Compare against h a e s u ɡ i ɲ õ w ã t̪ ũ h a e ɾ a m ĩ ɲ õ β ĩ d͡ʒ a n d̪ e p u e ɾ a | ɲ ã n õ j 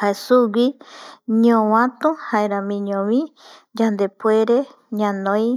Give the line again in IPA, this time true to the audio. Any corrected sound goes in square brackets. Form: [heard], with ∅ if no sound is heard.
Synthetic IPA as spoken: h a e s u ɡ i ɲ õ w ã t̪ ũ h a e ɾ a m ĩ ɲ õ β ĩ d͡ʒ a n d̪ e p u e ɾ [e] | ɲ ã n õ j